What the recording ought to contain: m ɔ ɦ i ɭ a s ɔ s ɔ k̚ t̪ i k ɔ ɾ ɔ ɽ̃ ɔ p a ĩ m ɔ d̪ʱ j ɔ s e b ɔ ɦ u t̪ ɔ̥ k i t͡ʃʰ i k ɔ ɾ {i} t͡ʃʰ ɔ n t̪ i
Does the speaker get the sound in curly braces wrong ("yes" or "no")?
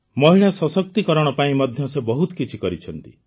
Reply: no